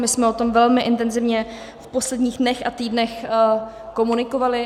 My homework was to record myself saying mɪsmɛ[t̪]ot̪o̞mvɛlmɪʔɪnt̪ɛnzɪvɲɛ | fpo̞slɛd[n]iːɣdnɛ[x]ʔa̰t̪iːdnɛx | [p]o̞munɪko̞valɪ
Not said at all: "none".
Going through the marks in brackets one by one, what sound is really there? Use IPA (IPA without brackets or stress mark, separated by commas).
none, ɲ, x, k